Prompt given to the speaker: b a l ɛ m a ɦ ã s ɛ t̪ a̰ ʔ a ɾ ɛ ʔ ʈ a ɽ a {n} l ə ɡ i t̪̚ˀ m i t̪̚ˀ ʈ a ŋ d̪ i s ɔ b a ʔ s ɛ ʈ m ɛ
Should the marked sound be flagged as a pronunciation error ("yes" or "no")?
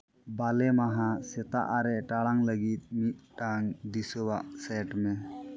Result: yes